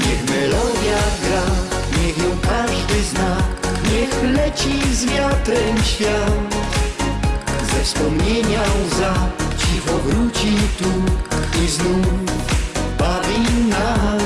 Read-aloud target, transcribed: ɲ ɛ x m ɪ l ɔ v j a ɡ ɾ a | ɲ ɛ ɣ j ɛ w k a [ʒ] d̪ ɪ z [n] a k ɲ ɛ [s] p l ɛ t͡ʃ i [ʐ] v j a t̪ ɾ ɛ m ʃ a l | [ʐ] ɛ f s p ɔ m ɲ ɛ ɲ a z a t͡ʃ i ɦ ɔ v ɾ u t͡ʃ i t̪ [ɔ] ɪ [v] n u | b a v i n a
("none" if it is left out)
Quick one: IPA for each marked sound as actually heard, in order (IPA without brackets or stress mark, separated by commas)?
ʒ, n, x, z, z, u, z